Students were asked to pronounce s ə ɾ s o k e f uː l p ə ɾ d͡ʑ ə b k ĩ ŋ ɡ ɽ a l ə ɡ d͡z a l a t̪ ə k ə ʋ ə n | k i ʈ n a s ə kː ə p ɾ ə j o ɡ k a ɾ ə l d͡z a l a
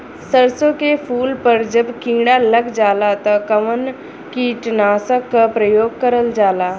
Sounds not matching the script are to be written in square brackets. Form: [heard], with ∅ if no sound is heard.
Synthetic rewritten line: s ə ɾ s o k e f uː l p ə ɾ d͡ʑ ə b k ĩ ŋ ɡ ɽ a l ə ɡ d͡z a l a t̪ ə k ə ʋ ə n | k i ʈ n a s ə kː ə p ɾ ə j o ɡ k [ə] ɾ ə l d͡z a l a